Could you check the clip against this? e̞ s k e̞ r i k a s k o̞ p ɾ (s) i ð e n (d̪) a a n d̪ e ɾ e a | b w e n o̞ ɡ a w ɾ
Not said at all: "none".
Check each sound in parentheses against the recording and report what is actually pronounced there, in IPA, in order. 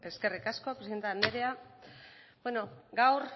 s, t̪

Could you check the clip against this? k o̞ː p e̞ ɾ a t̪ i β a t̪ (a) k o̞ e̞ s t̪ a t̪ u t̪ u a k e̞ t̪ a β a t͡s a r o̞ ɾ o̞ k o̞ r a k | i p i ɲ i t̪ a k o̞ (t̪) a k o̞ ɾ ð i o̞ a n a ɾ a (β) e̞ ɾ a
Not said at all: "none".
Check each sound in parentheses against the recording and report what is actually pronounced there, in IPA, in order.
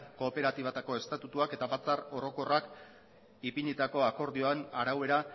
a, none, w

